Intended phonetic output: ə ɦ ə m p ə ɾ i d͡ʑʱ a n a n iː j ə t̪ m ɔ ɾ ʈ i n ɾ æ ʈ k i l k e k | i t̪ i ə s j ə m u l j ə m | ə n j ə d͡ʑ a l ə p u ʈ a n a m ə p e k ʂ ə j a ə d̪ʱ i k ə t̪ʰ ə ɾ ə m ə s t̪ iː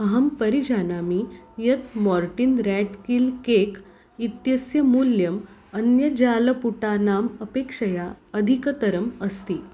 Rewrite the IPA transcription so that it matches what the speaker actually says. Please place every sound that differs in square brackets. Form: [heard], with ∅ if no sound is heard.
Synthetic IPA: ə ɦ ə m p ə ɾ i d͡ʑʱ a n a [m] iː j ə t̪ m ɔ ɾ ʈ i n ɾ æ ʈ k i l k e k | i t̪ [j] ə s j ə m u l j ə m | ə n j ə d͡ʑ a l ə p u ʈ a n a m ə p e k ʂ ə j a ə d̪ʱ i k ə [t̪] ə ɾ ə m ə s t̪ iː